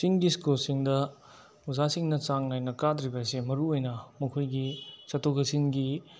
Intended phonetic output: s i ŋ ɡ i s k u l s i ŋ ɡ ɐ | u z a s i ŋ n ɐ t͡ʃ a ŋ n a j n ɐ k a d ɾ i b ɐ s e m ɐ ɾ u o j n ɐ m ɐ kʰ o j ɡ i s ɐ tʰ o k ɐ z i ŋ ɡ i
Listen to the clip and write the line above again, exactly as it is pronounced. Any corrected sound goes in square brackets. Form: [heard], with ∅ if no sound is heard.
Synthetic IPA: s i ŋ ɡ i s k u l s i ŋ [d] ɐ | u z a s i ŋ n ɐ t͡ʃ a ŋ n a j n ɐ k a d ɾ i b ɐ s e m ɐ ɾ u o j n ɐ m ɐ kʰ o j ɡ i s ɐ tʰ o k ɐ [s] i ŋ ɡ i

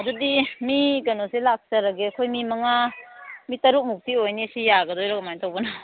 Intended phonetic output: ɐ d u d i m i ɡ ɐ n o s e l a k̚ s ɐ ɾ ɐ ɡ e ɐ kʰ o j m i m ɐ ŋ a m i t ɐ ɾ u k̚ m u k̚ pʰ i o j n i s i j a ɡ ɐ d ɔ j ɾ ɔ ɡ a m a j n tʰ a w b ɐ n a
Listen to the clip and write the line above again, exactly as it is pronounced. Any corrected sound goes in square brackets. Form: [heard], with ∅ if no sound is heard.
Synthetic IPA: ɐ d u d i m i ɡ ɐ n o s e l a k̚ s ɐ ɾ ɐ ɡ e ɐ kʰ o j m i m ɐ ŋ a m i t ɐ ɾ u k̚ m u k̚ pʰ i o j n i s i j a ɡ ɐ d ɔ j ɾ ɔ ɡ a m a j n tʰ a w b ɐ n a

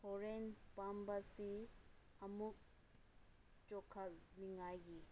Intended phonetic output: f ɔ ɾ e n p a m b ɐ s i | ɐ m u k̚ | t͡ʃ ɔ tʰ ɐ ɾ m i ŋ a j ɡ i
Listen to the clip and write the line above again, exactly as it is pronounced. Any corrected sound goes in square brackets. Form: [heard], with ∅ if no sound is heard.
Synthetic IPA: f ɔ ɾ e n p a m b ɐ s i | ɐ m u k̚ | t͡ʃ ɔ [kʰ] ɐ [l] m i ŋ a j ɡ i

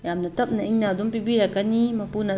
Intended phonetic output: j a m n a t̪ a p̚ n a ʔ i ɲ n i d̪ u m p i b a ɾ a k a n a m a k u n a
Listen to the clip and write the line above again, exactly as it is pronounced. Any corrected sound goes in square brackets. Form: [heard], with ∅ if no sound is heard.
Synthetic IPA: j a m n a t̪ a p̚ n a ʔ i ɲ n [a] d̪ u m p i b [i] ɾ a k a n [i] m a [p] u n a

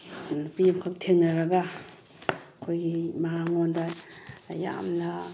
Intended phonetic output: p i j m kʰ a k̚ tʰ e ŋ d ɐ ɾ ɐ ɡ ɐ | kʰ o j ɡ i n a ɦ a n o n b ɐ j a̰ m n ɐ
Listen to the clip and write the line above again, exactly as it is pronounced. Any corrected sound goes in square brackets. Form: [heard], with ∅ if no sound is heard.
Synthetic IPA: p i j m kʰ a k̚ tʰ e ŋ [n] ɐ ɾ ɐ ɡ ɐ | kʰ o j ɡ i [m] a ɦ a [ŋ] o n [d] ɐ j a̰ m n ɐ

